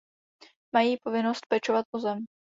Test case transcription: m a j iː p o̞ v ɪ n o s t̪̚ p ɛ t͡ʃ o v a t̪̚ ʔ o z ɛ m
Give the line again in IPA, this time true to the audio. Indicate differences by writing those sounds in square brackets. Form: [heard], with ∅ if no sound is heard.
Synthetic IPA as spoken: m a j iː p o̞ v ɪ n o s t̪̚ p ɛ t͡ʃ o v a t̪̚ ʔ o z ɛ m